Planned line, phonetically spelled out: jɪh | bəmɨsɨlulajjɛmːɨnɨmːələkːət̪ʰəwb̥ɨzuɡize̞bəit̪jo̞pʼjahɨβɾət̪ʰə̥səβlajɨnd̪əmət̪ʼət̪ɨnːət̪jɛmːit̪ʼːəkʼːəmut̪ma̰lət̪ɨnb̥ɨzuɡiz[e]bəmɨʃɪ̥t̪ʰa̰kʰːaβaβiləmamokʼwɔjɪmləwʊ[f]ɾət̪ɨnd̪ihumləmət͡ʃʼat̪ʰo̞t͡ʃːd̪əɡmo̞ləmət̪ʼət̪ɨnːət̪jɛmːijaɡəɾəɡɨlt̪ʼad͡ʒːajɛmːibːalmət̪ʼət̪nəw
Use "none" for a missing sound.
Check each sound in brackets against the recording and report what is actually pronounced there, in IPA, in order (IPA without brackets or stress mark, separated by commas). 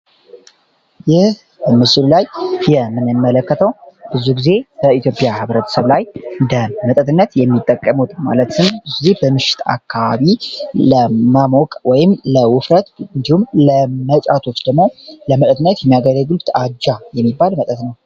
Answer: e, f